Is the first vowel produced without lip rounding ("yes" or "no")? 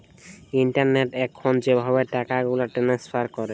yes